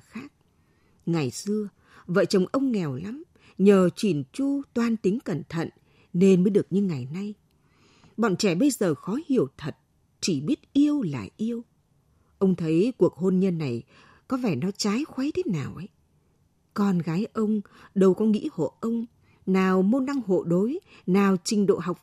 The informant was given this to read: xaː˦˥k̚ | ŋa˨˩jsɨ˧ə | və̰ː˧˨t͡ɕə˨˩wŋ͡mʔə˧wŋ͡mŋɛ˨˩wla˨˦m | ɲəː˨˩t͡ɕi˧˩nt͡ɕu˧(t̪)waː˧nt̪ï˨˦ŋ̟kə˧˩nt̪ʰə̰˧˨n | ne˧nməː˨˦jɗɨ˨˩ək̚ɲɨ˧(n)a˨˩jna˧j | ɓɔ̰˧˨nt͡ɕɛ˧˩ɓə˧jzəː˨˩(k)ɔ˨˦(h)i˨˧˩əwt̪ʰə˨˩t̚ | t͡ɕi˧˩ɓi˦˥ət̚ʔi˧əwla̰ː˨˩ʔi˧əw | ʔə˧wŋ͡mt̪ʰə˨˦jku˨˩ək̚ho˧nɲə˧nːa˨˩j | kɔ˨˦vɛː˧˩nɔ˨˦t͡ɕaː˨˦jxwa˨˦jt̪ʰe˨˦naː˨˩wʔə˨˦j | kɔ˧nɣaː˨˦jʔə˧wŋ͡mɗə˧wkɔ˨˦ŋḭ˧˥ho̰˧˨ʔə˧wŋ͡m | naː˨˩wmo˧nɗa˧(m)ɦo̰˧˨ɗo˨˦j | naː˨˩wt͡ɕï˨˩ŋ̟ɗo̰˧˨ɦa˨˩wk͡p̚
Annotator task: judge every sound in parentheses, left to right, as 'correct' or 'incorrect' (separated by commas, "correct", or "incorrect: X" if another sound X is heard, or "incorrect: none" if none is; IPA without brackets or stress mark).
correct, incorrect: ŋ, incorrect: x, correct, incorrect: ŋ